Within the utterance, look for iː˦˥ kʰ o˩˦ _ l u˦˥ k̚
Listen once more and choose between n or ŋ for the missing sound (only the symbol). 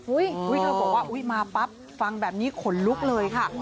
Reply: n